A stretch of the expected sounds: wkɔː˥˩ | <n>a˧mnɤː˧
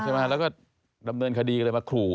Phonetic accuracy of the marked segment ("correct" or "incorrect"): incorrect